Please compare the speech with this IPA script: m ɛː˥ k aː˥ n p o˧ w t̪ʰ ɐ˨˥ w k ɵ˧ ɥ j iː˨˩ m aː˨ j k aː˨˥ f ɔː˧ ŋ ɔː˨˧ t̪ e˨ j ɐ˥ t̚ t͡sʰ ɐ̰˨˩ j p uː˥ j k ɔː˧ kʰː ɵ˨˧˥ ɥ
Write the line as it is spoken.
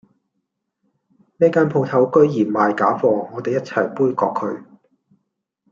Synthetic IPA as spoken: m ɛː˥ k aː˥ n pʰ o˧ w t̪ʰ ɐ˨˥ w k ɵ˥ ɥ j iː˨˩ m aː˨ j k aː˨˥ f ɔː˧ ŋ ɔː˨˧ t̪ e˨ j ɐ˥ t̚ t͡sʰ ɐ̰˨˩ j p uː˥ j k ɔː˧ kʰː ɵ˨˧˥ ɥ